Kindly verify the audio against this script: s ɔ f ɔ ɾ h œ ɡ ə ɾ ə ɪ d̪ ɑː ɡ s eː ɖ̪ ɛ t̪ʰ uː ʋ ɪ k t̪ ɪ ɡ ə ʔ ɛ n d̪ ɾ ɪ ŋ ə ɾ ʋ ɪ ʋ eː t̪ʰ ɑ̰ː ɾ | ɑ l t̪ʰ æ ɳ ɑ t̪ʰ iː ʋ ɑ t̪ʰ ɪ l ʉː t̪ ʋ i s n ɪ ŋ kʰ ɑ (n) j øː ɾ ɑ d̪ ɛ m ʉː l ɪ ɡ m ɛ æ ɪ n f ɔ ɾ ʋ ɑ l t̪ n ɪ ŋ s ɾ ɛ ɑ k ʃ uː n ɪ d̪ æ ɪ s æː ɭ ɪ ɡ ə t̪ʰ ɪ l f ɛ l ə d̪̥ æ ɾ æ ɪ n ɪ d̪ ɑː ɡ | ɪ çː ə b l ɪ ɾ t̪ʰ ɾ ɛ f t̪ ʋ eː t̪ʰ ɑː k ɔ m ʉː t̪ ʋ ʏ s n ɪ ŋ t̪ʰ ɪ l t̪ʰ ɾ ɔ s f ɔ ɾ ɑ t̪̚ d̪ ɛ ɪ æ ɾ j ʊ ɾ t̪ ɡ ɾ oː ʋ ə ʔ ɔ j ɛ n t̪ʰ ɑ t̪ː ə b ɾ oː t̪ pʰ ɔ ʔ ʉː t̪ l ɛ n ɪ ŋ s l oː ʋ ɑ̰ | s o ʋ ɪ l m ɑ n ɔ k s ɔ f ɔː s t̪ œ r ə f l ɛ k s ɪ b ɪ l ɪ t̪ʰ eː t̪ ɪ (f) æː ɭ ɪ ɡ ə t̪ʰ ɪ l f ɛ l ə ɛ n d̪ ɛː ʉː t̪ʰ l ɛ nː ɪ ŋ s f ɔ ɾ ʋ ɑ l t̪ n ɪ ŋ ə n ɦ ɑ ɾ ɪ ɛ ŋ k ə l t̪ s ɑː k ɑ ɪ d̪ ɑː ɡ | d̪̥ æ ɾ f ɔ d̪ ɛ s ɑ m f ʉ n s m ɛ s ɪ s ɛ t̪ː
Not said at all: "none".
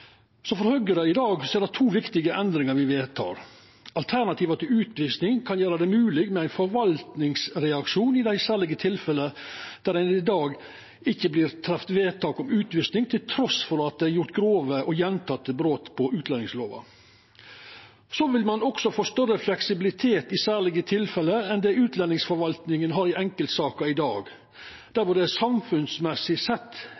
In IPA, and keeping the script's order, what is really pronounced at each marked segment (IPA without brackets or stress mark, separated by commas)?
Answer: n, s